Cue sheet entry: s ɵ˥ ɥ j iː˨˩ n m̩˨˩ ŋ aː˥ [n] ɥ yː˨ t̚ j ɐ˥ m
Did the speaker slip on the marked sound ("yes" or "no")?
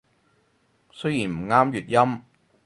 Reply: yes